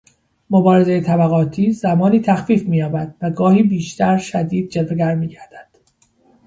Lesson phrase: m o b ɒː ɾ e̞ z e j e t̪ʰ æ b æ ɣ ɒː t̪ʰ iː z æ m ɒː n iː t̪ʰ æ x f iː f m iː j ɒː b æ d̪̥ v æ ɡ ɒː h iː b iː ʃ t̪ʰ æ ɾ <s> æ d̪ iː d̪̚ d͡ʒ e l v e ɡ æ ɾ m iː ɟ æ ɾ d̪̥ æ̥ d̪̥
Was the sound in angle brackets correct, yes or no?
no